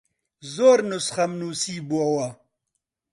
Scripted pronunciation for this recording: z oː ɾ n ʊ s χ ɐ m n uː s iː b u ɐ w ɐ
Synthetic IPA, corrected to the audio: z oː ɾ n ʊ s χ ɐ m n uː s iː b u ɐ w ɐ